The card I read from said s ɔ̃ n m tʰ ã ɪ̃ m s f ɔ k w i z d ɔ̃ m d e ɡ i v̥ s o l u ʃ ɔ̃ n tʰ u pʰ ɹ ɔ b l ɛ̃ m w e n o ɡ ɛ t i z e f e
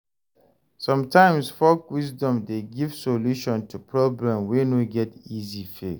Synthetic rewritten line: s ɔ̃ m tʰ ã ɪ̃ m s f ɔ k w i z d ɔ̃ m d e ɡ i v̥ s o l u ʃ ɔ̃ n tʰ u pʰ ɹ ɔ b l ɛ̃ m w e n o ɡ ɛ t i z i f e